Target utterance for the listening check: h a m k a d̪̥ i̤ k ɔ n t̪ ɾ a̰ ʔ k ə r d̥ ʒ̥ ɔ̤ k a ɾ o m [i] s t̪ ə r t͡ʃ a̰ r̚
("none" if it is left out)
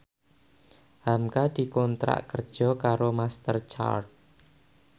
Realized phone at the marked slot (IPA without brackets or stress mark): a